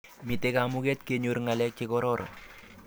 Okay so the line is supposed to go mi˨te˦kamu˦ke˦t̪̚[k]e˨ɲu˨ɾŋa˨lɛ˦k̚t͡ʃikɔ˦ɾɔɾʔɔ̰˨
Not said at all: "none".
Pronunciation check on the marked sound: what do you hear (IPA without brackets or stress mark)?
k